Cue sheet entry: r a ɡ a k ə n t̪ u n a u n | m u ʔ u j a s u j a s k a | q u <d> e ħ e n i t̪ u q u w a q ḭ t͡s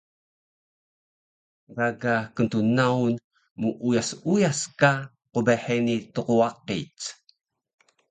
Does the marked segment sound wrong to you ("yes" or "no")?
yes